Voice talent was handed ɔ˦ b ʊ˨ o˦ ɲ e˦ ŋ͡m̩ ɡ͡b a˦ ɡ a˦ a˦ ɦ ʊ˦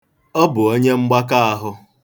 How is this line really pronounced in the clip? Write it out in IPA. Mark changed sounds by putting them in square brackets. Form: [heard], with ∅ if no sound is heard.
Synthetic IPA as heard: ɔ˦ b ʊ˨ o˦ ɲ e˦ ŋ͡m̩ ɡ͡b a˦ [k] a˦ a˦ ɦ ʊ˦